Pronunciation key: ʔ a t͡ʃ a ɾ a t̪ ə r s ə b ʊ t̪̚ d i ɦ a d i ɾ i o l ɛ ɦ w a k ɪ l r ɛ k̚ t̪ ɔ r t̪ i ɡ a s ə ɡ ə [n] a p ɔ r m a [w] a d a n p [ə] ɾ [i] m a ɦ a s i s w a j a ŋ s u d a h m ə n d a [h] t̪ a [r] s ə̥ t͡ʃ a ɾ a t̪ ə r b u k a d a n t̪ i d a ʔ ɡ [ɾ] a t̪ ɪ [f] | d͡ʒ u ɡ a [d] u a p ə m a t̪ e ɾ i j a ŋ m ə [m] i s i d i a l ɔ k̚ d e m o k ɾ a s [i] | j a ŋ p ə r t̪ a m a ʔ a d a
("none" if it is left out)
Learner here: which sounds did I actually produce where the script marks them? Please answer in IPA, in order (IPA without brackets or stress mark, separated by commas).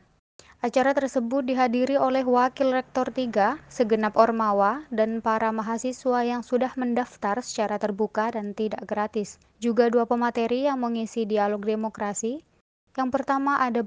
n, w, a, a, f, r, ɾ, s, d, ŋ, i